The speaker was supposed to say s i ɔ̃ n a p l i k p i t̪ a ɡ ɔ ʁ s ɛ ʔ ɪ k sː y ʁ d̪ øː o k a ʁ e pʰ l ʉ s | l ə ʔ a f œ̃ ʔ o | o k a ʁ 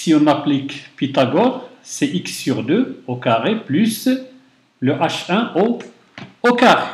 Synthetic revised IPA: s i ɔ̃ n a p l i k p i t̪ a ɡ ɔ ʁ s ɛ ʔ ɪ k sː y ʁ d̪ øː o k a ʁ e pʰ l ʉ s | l ə ʔ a ʃ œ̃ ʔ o | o k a ʁ